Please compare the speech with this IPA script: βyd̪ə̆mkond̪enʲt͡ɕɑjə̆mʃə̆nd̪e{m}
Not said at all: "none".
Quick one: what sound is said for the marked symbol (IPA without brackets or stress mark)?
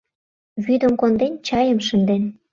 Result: n